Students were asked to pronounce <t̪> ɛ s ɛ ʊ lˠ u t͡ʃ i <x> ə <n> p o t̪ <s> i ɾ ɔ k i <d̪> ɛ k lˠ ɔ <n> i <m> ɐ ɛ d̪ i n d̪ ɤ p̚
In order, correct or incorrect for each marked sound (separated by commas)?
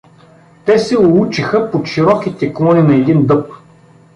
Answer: correct, correct, incorrect, incorrect, incorrect, correct, incorrect